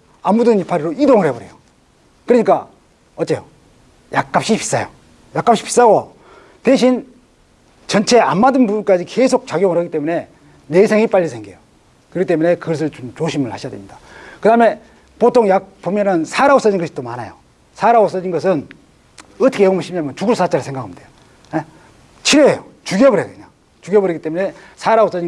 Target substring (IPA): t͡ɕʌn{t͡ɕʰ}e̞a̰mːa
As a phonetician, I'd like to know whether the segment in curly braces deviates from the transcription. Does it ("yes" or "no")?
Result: no